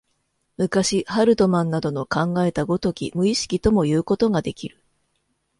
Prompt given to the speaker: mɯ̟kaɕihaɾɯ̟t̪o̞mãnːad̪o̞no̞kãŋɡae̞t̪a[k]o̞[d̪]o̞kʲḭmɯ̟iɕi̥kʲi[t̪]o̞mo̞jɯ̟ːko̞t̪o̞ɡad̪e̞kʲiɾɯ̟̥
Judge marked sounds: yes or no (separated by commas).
no, no, yes